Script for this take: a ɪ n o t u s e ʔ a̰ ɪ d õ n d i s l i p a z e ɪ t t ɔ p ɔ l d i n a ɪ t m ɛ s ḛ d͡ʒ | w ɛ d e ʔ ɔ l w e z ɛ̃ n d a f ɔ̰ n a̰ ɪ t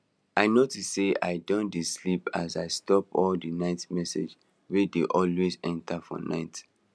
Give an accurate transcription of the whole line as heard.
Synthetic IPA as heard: a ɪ n o t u s e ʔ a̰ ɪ d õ n d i s l i p a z a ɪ s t ɔ p ɔ l d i n a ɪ t m ɛ s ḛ d͡ʒ | w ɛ d e ʔ ɔ l w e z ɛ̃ n t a f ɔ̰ n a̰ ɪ t